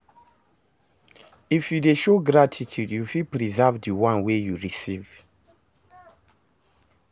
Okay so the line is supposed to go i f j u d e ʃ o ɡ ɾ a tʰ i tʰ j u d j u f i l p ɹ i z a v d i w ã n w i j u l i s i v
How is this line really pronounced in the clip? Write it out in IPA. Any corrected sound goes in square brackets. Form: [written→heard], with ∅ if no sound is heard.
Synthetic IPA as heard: i f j u d e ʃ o ɡ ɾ a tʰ i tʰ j u d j u f i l p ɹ i z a v d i w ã n w [i→e] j u [l→ɹ] i s i v